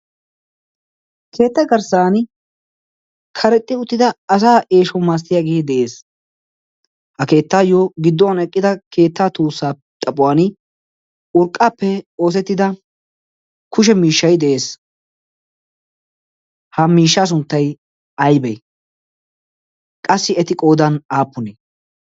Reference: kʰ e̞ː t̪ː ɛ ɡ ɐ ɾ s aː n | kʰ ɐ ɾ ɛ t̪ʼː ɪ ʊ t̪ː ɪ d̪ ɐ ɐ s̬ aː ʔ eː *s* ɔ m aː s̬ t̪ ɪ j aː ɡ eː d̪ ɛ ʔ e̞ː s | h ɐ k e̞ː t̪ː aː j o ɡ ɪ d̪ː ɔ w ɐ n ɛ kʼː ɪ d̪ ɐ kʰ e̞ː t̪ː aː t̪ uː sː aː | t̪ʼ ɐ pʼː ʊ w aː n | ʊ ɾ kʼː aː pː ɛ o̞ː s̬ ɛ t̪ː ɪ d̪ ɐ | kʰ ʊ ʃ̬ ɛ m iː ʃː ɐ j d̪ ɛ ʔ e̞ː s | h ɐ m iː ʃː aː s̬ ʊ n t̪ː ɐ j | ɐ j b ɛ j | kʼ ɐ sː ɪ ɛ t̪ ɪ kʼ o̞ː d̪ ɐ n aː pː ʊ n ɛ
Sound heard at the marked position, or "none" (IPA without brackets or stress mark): ʃ